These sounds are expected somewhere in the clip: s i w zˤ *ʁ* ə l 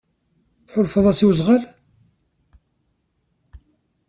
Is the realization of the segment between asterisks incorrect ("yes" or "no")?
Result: no